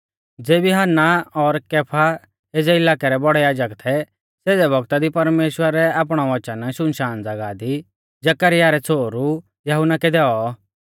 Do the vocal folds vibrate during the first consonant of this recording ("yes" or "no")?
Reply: yes